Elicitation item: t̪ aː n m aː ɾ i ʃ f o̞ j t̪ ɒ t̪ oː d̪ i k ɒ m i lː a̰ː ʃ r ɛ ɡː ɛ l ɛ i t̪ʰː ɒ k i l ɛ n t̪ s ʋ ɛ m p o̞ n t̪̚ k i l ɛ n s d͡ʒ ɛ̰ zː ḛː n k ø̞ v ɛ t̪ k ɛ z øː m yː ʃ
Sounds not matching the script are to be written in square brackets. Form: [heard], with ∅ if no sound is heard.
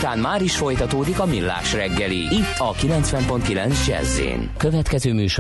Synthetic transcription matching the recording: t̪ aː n m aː ɾ i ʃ f o̞ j t̪ ɒ t̪ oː d̪ i k ɒ m i lː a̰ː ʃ r ɛ ɡː ɛ l [i] i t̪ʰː ɒ k i l ɛ n t̪ s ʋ ɛ m p o̞ n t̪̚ k i l ɛ n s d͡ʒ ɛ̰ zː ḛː n k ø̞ v ɛ t̪ k ɛ z øː m yː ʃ